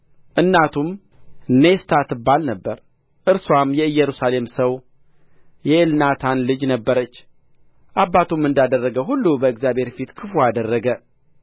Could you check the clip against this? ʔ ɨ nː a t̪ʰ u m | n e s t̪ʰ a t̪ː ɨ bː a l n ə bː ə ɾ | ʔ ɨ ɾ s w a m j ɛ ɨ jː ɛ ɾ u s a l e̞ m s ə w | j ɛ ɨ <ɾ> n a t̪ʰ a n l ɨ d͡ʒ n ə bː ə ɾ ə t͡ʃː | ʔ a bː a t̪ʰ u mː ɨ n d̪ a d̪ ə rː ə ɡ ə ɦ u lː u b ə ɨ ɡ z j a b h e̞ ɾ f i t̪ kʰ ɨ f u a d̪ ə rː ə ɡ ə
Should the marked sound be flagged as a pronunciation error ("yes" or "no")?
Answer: yes